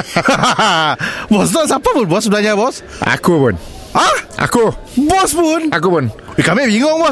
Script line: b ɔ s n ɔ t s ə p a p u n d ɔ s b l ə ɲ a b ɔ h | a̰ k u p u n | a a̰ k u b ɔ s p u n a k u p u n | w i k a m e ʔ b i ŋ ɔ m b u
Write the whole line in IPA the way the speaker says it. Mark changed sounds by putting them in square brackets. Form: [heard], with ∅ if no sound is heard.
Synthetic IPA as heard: b ɔ s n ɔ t s [a] p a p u n [b] ɔ s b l [a] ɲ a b ɔ [s] | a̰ k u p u n | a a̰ k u b ɔ s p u n a k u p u n | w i k a m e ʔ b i ŋ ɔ [ŋ] b [ɔ]